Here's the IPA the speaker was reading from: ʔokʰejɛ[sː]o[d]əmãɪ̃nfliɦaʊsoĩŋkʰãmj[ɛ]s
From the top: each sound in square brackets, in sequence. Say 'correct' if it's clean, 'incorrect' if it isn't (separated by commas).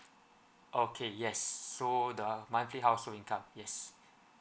correct, correct, correct